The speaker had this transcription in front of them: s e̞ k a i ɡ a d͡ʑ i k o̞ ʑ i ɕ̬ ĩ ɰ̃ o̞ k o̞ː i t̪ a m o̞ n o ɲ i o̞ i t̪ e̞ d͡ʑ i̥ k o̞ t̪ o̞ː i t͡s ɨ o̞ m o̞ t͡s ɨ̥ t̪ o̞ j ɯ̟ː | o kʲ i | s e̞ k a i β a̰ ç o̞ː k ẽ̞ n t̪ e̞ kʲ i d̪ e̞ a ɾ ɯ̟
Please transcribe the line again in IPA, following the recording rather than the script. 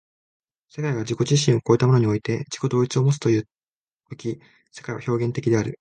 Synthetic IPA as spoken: s e̞ k a i ɡ a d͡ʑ i k o̞ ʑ i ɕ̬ ĩ ɰ̃ o̞ k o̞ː i t̪ a m o̞ n o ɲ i o̞ i t̪ e̞ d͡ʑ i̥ k o̞ d̪ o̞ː i t͡s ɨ o̞ m o̞ t͡s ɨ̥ t̪ o̞ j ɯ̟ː | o kʲ i | s e̞ k a i β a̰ ç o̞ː ɡ ẽ̞ n t̪ e̞ kʲ i d̪ e̞ a ɾ ɯ̟